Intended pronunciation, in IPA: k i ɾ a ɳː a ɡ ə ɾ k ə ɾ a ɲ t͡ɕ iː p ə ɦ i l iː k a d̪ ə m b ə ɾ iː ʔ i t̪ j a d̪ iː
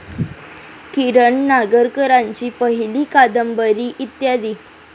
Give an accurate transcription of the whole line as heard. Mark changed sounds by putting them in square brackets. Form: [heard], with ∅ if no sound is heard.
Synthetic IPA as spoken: k i ɾ [ə] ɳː a ɡ ə ɾ k ə ɾ a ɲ t͡ɕ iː p ə ɦ i l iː k a d̪ ə m b ə ɾ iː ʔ i t̪ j a d̪ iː